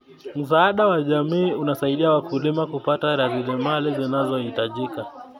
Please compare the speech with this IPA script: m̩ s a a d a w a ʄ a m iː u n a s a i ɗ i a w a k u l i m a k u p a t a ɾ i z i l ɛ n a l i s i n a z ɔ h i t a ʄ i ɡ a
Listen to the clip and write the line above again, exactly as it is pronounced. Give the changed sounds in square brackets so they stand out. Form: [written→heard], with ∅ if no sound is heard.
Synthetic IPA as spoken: m̩ s a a [d→ɗ] a w a ʄ a m iː u n a s a i ɗ i a w a k u l i m a k u p a t a ɾ [i→a] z i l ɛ [n→m] a l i [s→z] i n a z ɔ h i t a ʄ i [ɡ→k] a